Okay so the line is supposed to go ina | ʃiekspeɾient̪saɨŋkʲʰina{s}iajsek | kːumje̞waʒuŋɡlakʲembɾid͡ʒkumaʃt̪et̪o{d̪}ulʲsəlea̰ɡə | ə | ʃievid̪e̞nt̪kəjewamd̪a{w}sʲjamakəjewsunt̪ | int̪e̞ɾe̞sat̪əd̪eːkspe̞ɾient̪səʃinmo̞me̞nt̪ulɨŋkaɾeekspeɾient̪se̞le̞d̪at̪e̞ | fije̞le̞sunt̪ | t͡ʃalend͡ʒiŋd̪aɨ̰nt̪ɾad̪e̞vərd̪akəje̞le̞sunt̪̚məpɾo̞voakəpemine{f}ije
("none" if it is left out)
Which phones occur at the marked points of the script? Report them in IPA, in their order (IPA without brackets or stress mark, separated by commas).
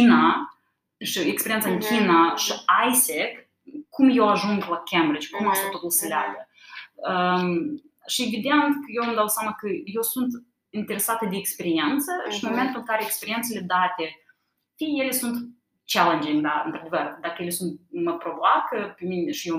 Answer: ʃ, t̪, w, ʃ